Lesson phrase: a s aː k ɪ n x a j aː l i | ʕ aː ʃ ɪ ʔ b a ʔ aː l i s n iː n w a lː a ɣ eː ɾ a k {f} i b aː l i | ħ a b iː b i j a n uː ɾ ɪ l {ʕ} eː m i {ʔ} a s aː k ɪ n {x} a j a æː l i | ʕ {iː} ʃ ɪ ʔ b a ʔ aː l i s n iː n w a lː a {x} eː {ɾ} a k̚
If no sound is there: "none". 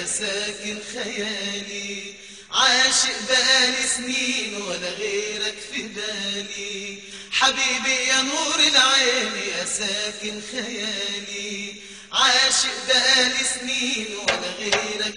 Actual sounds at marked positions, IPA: f, ʕ, ʔ, x, aː, ɣ, ɾ

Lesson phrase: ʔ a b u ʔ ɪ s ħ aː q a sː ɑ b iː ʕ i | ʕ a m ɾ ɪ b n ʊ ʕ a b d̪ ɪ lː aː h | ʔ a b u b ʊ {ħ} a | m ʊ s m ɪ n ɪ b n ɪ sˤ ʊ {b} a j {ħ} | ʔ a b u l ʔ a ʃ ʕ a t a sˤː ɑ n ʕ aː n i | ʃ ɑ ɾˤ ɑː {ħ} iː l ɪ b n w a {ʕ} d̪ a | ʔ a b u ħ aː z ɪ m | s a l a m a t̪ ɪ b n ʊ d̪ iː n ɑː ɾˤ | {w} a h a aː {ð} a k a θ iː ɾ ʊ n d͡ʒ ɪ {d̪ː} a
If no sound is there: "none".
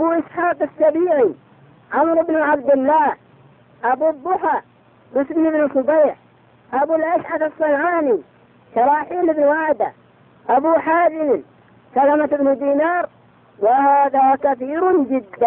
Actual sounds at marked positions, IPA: ħ, b, ħ, ħ, ʕ, w, ð, d̪ː

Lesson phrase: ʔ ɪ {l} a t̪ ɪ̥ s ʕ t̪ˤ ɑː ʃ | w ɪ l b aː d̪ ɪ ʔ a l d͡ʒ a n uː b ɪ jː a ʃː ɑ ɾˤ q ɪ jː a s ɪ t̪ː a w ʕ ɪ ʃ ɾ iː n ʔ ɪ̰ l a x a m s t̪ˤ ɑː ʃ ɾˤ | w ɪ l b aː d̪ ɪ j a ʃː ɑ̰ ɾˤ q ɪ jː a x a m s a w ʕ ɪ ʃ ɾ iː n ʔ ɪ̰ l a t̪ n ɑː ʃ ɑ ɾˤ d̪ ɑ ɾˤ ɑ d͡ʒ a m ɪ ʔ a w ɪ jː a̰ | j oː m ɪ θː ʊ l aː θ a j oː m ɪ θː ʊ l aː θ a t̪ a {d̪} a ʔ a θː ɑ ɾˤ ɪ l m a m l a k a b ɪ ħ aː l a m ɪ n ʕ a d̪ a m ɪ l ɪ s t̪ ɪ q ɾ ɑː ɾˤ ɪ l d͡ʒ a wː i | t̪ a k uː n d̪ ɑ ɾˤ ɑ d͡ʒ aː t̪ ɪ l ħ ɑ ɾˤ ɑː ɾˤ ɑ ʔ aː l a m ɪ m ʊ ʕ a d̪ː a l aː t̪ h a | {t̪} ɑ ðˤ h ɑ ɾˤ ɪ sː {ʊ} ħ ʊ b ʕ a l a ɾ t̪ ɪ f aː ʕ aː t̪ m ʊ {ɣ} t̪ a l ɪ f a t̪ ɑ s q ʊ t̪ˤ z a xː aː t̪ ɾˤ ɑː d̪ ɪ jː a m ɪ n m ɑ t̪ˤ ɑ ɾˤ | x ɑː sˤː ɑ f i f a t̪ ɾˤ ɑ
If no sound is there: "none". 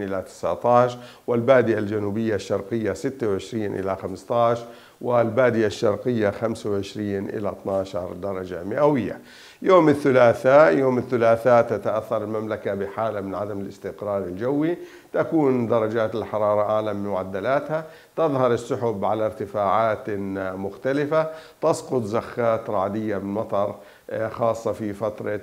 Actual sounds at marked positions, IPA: l, t̪, t̪, ʊ, x

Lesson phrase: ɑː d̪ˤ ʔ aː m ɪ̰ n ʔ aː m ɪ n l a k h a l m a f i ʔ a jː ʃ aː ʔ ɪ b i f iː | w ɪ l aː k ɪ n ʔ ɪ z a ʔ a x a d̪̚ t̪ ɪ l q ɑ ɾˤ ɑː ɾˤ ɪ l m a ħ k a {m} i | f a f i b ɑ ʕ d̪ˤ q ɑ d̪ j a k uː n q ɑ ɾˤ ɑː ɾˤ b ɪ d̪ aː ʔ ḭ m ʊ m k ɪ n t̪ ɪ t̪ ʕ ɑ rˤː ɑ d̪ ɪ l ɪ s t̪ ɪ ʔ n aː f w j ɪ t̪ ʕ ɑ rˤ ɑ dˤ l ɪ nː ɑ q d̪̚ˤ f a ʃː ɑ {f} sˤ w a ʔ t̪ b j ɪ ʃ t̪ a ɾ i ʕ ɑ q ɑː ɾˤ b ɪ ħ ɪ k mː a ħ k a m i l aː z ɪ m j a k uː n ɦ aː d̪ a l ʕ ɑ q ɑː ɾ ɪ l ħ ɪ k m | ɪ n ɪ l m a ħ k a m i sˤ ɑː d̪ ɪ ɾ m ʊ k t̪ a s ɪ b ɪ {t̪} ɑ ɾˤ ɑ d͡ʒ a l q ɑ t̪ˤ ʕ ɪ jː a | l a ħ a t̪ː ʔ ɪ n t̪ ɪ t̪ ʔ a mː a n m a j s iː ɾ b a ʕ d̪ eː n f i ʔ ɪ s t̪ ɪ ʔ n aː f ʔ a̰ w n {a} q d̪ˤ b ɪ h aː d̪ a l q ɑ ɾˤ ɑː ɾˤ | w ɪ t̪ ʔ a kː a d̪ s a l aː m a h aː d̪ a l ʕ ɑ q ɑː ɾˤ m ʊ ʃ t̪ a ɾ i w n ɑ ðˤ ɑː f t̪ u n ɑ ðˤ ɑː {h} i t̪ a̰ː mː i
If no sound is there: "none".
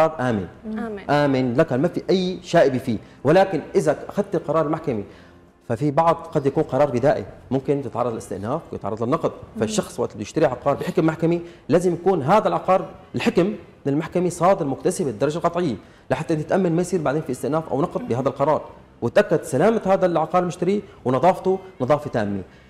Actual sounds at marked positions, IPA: m, x, d̪, ɑ, f

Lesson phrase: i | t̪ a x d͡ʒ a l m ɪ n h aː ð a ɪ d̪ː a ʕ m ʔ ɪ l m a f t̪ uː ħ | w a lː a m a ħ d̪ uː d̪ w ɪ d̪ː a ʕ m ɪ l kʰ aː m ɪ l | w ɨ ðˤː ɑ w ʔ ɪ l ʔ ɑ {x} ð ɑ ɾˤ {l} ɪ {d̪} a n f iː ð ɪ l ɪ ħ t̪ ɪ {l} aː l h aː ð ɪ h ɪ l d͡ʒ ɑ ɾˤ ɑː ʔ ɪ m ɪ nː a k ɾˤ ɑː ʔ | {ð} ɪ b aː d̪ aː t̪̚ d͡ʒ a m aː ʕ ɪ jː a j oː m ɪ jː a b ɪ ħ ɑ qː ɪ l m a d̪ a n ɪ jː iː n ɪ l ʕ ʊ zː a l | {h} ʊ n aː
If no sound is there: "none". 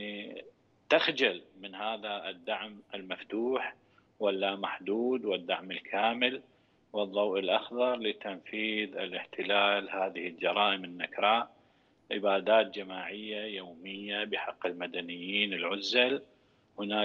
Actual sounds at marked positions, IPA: x, l, t̪, l, ʕ, h

